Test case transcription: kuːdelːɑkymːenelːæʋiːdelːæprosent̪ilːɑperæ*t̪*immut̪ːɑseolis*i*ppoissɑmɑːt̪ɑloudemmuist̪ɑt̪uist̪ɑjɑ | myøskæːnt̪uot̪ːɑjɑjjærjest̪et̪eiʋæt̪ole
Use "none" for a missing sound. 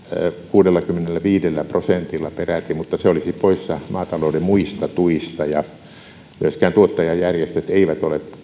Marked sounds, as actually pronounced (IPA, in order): t̪, i

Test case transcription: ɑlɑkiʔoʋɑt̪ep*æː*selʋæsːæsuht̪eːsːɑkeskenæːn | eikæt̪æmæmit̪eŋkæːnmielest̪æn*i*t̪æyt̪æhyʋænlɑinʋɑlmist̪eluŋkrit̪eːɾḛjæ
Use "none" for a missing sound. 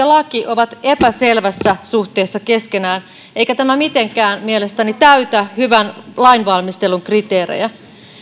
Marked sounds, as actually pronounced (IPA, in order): æ, i

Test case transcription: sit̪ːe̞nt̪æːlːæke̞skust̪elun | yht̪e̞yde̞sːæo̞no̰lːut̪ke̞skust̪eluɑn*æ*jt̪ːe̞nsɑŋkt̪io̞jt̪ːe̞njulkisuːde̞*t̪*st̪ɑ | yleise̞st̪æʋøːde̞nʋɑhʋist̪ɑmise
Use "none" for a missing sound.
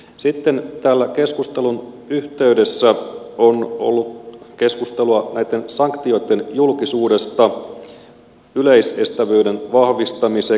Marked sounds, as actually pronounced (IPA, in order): æ, none

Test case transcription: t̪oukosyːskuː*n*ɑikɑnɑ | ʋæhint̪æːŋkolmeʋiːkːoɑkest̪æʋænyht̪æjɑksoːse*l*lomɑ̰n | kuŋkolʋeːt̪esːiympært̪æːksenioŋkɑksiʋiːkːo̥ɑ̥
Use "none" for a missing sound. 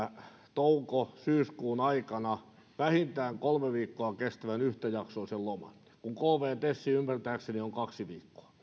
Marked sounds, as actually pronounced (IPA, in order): n, l

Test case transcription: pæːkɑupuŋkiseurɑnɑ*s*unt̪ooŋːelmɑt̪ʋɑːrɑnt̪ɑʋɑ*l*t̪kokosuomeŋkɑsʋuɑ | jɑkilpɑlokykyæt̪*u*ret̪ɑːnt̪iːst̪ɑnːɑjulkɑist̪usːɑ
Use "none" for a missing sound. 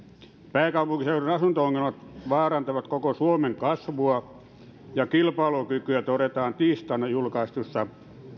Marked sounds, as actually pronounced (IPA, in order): s, none, o

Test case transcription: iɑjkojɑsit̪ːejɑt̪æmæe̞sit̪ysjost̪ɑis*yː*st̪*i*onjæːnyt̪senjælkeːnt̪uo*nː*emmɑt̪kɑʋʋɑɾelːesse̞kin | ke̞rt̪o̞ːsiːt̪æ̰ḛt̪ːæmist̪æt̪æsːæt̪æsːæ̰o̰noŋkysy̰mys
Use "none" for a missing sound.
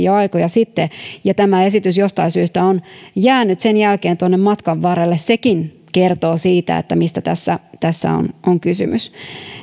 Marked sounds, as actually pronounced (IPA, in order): yː, æ, nː

